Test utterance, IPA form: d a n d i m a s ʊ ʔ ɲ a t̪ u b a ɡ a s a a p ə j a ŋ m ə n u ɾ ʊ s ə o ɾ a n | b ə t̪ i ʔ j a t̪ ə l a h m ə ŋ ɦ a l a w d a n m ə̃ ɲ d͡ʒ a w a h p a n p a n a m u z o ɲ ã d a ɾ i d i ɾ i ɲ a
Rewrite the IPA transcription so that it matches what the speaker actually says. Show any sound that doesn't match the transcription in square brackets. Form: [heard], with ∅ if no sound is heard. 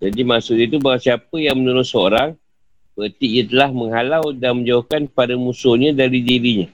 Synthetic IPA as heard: [d͡ʒ] a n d i m a s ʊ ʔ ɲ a t̪ u b a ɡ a s [i] a p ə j a ŋ m ə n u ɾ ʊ s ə o ɾ a [ŋ] | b ə t̪ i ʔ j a t̪ ə l a h m ə ŋ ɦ a l a w d a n m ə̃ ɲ d͡ʒ a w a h [k] a n p a [d] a m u [s] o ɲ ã d a ɾ i d i ɾ i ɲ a